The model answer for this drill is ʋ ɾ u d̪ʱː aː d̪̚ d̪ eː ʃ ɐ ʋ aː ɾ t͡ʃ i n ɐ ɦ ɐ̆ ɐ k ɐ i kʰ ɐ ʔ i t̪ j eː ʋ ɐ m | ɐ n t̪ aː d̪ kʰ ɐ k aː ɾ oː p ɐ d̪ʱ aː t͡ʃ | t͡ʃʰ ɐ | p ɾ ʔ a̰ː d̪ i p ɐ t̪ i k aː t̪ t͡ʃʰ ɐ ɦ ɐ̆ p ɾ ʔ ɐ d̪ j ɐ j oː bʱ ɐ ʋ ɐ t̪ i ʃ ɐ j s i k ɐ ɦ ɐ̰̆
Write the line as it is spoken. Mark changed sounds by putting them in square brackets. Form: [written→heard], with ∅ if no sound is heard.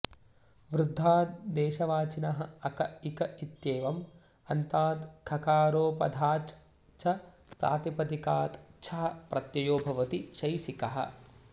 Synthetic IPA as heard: ʋ ɾ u d̪ʱː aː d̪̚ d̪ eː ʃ ɐ ʋ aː [ɾ→∅] t͡ʃ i n ɐ ɦ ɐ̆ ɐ k ɐ i [kʰ→k] ɐ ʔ i t̪ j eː ʋ ɐ m | ɐ n t̪ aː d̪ kʰ ɐ k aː ɾ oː p ɐ d̪ʱ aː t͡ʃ | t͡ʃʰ ɐ | p ɾ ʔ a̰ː [d̪→t̪] i p ɐ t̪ i k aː t̪ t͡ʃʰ ɐ ɦ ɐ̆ p ɾ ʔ ɐ [d̪→t̪] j ɐ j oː bʱ ɐ ʋ ɐ t̪ i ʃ ɐ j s i k ɐ ɦ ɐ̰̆